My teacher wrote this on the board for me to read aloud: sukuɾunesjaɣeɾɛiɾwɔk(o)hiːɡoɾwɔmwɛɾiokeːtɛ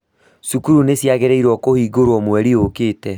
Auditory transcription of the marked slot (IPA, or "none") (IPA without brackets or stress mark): o